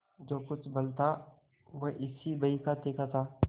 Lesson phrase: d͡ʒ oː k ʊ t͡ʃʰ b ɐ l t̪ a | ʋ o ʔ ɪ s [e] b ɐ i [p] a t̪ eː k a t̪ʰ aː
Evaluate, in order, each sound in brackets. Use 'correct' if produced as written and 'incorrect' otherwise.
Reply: incorrect, incorrect

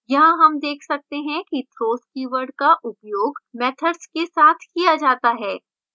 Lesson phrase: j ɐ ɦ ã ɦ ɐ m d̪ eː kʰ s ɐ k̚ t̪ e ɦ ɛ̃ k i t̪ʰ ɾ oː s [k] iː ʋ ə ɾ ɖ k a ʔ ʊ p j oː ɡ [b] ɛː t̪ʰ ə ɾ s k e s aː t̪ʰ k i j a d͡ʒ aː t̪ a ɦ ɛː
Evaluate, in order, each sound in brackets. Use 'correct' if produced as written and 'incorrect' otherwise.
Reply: correct, incorrect

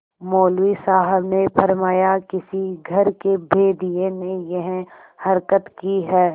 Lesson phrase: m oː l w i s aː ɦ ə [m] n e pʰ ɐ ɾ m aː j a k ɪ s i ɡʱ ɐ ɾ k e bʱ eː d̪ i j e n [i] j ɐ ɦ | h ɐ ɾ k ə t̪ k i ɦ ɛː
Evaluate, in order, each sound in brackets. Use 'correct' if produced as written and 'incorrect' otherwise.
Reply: incorrect, incorrect

